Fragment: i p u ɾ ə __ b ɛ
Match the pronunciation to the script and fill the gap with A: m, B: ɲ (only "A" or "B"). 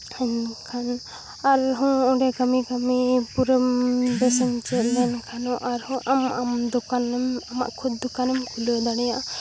A